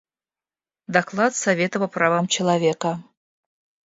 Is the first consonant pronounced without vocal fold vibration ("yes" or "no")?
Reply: no